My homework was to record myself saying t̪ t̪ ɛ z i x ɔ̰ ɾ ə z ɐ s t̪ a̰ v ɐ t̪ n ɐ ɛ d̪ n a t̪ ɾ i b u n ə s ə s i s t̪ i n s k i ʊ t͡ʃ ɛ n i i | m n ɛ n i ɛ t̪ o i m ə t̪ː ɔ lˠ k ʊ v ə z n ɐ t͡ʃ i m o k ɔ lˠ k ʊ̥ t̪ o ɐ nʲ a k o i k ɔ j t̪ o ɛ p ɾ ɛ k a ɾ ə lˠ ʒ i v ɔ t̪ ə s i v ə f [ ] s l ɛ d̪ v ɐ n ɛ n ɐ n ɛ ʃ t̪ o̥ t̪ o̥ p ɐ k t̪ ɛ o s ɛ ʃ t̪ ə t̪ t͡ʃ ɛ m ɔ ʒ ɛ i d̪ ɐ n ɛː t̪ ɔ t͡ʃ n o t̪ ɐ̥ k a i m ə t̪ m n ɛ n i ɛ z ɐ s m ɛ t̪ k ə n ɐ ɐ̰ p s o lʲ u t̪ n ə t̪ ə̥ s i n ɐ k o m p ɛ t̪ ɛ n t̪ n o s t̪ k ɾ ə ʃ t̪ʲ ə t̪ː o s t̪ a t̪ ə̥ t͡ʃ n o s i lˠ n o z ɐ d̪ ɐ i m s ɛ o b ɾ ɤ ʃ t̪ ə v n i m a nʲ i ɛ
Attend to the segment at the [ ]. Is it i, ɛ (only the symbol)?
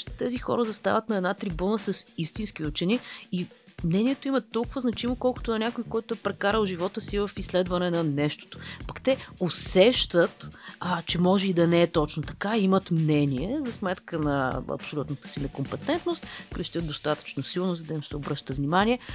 i